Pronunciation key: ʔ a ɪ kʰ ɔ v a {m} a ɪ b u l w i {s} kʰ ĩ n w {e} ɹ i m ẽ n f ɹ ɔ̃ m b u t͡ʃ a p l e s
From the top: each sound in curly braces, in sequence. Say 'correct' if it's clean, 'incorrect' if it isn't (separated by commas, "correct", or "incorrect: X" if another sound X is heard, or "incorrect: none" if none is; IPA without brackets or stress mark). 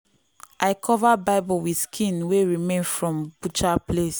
incorrect: b, correct, correct